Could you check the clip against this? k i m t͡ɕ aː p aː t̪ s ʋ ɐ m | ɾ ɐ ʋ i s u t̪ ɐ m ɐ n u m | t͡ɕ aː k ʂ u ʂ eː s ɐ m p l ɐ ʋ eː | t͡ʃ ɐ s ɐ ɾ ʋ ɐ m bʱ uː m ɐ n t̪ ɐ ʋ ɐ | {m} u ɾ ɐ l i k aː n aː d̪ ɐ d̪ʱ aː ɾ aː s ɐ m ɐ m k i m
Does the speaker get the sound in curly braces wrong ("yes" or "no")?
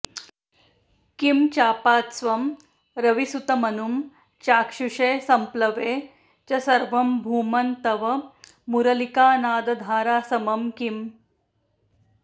no